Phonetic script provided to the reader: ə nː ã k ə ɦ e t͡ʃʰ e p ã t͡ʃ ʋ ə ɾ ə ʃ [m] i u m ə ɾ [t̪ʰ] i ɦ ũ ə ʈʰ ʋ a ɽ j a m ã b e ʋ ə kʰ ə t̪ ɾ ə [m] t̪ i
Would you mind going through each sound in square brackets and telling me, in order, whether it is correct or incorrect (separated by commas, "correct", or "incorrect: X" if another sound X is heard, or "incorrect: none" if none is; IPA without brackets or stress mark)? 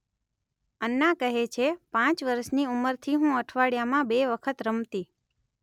incorrect: n, correct, correct